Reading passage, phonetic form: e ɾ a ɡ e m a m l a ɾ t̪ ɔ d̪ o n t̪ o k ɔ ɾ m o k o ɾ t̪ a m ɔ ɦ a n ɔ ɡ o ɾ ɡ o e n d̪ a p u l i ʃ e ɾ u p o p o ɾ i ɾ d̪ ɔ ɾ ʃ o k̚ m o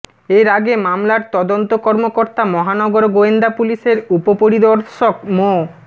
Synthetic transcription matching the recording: e ɾ a ɡ e m a m l a ɾ t̪ ɔ d̪ o n t̪ o k ɔ ɾ m o k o ɾ t̪ a m ɔ ɦ a n ɔ ɡ o ɾ ɡ o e n d̪ a p u l i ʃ e ɾ u p o p o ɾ i d̪ ɔ ɾ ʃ o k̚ m o